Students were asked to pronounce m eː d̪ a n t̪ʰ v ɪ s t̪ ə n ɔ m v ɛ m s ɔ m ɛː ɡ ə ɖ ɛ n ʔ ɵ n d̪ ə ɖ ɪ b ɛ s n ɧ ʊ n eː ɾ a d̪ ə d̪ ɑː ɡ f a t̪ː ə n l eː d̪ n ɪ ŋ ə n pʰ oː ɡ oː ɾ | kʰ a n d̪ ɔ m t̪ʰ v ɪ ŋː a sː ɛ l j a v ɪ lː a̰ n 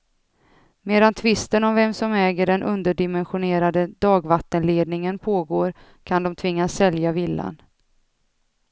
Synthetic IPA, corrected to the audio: m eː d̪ a n t̪ʰ v ɪ s t̪ ə n ɔ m v ɛ m s ɔ m ɛː ɡ ə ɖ ɛ n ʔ ɵ n d̪ ə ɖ ɪ m ɛ n ɧ ʊ n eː ɾ a d̪ ə d̪ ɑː ɡ v a t̪ː ə n l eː d̪ n ɪ ŋ ə n pʰ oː ɡ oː ɾ | kʰ a n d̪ ɔ m t̪ʰ v ɪ ŋː a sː ɛ l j a v ɪ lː a̰ n

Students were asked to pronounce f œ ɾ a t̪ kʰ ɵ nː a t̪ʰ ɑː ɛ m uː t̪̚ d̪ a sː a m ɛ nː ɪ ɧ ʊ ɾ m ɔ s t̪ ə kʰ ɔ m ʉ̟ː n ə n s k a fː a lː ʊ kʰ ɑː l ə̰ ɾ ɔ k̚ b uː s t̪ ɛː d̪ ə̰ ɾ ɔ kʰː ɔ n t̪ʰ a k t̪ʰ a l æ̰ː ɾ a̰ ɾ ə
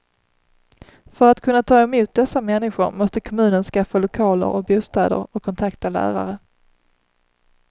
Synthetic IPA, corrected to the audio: f œ ɾ a t̪ kʰ ɵ nː a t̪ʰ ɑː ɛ m uː t̪̚ d̪ ɛ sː a m ɛ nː ɪ ɧ ʊ ɾ m ɔ s t̪ ə kʰ ɔ m ʉ̟ː n ə n s k a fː a l ʊ kʰ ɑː l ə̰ ɾ ɔ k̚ b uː s t̪ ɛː d̪ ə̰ ɾ ɔ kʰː ɔ n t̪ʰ a k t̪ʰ a l æ̰ː ɾ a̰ ɾ ə

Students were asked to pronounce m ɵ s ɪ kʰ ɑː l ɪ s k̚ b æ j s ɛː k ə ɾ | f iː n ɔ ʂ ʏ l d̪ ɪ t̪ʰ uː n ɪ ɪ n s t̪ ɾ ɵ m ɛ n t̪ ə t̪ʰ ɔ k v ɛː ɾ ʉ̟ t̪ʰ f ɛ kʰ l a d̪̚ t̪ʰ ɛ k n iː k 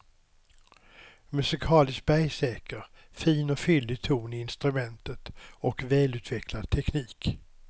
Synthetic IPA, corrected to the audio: m ɵ s ɪ kʰ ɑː l ɪ s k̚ b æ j s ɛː k ə ɾ | f iː n ɔ f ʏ l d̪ ɪ t̪ʰ uː n ɪ ɪ n s t̪ ɾ ɵ m ɛ n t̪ ə t̪ ɔ k v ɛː l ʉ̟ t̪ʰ v ɛ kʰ l a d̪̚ t̪ʰ ɛ k n iː k

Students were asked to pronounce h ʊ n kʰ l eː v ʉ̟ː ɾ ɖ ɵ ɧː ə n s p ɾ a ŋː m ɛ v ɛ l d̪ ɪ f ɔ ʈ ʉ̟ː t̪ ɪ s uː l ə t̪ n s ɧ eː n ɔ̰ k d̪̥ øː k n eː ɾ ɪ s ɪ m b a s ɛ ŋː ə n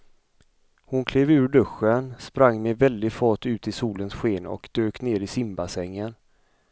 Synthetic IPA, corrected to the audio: h ʊ n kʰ l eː v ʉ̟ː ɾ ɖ ɵ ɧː ə n s p ɾ a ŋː m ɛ v ɛ l d̪ ɪ f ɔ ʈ ʉ̟ː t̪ ɪ s uː l ə n s ɧ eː n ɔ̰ k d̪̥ øː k n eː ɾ ɪ s ɪ m b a s ɛ ŋː ə n

